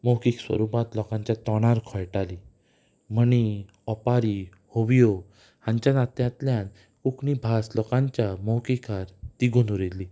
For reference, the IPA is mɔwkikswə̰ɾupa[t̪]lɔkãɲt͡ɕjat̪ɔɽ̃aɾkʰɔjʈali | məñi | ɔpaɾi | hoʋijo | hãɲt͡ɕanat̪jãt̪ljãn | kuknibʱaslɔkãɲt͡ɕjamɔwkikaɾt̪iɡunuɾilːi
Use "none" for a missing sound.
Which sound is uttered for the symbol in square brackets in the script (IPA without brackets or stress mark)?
t̪